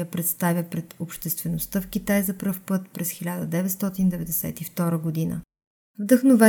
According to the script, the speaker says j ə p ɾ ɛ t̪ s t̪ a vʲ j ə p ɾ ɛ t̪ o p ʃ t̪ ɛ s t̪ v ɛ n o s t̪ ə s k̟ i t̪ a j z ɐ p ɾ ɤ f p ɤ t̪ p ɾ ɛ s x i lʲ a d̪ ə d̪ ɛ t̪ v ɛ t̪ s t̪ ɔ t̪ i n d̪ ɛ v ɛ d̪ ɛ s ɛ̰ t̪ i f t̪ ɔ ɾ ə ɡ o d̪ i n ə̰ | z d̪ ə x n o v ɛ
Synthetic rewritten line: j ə p ɾ ɛ t̪ s t̪ a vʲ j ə p ɾ ɛ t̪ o p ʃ t̪ ɛ s t̪ v ɛ n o s t̪ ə f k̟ i t̪ a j z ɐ p ɾ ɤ f p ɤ t̪ p ɾ ɛ s x i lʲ a d̪ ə d̪ ɛ v ɛ t̪ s t̪ ɔ t̪ i n d̪ ɛ v ɛ d̪ ɛ s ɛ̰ t̪ i f t̪ ɔ ɾ ə ɡ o d̪ i n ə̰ | v d̪ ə x n o v ɛ